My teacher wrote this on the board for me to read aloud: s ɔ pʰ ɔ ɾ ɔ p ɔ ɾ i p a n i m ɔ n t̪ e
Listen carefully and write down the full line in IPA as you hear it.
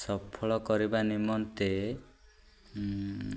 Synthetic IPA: s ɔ pʰ ɔ ɭ ɔ k ɔ ɾ i b a n i m ɔ n t̪ e